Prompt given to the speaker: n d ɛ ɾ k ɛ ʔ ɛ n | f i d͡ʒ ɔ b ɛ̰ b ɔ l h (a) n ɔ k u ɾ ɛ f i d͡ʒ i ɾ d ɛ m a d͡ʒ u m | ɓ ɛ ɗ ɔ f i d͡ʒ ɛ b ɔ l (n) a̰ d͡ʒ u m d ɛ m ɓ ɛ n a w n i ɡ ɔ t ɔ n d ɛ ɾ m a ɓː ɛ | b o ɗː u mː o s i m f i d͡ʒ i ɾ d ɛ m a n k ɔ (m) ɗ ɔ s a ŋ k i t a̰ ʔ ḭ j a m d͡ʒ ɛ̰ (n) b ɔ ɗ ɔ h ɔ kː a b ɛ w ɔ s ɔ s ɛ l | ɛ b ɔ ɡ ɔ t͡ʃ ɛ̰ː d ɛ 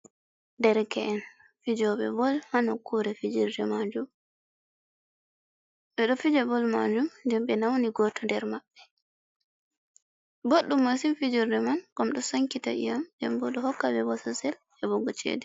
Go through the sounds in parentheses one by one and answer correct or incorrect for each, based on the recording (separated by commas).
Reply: correct, incorrect, correct, incorrect